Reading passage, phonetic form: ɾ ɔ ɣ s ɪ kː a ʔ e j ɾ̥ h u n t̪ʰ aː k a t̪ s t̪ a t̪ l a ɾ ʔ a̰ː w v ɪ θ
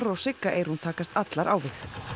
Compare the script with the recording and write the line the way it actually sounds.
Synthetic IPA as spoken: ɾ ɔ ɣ s ɪ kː a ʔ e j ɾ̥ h u n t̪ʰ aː k a s t̪ a t̪ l a ɾ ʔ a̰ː w v ɪ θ